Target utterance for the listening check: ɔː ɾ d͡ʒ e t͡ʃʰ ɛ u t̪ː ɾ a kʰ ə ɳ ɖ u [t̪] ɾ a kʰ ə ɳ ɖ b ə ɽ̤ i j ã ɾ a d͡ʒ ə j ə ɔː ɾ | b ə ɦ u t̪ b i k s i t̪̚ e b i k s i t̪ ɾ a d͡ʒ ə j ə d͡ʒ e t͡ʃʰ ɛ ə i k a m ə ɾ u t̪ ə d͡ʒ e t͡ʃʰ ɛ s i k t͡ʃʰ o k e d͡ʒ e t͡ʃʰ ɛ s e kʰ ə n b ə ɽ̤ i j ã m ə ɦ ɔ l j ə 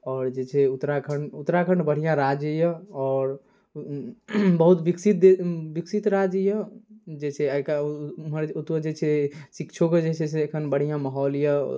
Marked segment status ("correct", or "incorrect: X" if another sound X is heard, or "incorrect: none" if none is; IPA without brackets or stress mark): correct